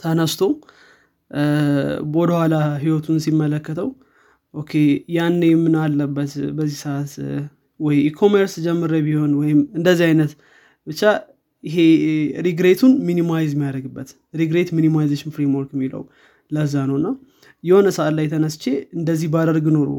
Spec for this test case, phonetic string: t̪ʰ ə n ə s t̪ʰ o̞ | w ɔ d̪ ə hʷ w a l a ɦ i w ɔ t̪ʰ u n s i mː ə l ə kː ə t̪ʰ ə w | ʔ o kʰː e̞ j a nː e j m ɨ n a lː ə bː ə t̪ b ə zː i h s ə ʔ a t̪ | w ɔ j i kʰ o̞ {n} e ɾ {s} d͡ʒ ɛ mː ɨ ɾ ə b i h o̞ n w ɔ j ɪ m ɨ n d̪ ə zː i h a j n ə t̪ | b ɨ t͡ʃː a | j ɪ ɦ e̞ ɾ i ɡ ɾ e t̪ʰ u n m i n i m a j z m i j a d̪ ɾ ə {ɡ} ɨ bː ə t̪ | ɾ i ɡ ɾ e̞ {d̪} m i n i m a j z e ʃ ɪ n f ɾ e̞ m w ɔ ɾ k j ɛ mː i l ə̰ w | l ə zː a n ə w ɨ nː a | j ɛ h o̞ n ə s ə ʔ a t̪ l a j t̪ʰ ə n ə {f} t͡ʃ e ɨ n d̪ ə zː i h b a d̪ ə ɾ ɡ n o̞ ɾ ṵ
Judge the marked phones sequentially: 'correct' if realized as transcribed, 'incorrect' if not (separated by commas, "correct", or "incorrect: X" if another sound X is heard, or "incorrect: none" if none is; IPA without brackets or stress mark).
incorrect: m, correct, correct, incorrect: t̪, incorrect: s